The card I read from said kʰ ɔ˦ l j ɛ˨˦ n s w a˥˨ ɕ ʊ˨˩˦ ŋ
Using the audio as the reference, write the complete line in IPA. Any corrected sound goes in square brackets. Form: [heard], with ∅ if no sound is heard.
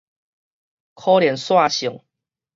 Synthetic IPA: kʰ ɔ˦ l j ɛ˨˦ n s w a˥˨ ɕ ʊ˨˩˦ ŋ